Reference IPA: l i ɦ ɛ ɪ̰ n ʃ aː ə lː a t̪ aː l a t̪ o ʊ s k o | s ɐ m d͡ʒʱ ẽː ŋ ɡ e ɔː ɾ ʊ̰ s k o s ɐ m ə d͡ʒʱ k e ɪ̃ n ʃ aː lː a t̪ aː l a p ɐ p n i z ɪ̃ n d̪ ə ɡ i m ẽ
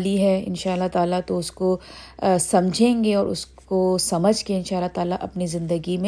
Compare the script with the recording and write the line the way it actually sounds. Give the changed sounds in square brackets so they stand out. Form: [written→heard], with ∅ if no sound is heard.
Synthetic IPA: l i ɦ ɛ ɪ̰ n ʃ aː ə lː a t̪ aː l a t̪ o ʊ s k o | s ɐ m d͡ʒʱ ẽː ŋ ɡ e ɔː ɾ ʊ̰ s k o s ɐ m ə d͡ʒʱ k e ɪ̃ n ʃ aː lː a t̪ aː l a [p→ʔ] ɐ p n i z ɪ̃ n d̪ ə ɡ i m ẽ